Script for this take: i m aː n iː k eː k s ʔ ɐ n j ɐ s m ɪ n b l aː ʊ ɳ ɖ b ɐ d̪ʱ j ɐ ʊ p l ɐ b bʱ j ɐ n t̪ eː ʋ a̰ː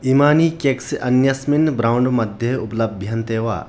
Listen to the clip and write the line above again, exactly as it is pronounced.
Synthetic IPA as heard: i m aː n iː k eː k s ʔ ɐ n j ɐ s m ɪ n b ɾ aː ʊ ɳ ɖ m ɐ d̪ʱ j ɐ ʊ p l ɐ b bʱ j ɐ n t̪ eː ʋ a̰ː